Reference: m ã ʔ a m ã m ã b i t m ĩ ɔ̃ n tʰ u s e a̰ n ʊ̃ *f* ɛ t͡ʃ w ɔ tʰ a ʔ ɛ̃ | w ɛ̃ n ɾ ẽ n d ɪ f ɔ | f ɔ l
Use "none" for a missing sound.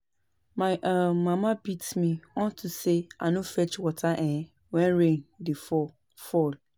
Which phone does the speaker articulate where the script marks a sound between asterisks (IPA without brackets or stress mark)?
f